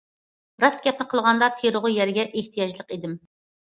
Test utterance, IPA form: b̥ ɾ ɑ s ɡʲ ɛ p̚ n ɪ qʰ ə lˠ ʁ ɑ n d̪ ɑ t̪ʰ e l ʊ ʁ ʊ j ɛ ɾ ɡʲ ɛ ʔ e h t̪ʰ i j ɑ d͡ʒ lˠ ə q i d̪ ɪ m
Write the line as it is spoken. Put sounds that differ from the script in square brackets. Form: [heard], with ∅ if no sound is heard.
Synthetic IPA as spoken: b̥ ɾ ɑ s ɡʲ ɛ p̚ n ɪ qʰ ə lˠ ʁ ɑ n d̪ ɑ t̪ʰ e [ɾ] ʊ ʁ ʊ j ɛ ɾ ɡʲ ɛ ʔ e h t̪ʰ i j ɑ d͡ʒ lˠ ə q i d̪ ɪ m